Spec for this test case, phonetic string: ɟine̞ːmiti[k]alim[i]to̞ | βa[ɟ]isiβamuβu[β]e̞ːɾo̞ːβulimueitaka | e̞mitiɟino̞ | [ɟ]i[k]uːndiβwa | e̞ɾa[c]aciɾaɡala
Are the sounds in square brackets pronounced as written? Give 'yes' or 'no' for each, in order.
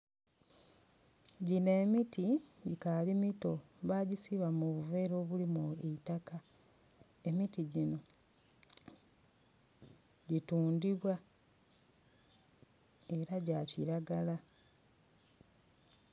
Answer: yes, yes, yes, no, yes, no, no

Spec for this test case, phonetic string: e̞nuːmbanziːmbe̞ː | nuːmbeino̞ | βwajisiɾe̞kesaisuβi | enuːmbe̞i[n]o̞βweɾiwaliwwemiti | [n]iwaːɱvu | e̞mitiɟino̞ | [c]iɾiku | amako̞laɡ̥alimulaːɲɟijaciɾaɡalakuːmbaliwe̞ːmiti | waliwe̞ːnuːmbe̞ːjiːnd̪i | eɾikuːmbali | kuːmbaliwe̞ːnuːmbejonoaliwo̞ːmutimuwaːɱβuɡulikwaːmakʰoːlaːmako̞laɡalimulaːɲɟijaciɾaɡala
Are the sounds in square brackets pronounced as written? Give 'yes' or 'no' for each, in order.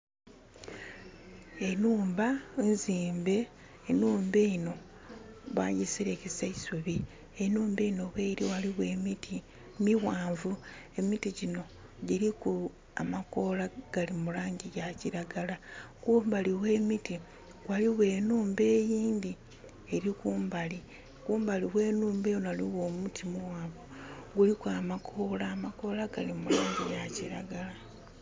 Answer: yes, no, no

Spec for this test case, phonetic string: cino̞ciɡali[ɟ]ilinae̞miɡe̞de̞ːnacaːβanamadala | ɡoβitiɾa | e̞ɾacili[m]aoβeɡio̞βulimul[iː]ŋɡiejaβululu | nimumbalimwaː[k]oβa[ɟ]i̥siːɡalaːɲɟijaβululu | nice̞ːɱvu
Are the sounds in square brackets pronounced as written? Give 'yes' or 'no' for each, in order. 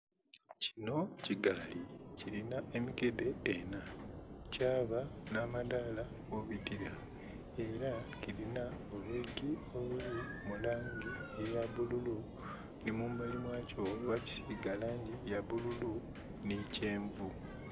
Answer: no, no, no, no, no

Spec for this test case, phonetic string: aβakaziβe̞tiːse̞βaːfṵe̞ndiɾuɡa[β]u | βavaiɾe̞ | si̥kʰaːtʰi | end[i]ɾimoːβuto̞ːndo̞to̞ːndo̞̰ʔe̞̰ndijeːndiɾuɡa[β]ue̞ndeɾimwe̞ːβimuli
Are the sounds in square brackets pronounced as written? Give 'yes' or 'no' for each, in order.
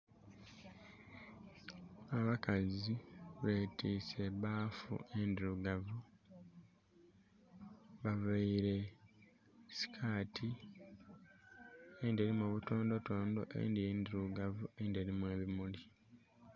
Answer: no, no, no

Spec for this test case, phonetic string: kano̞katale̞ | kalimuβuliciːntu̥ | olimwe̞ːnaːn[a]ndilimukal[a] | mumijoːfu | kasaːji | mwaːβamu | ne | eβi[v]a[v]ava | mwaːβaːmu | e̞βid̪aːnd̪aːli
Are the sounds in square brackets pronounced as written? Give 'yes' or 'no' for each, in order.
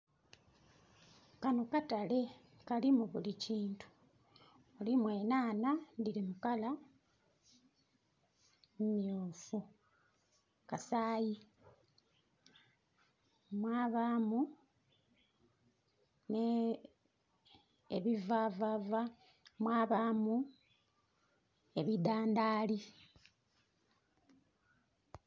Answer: yes, yes, yes, yes

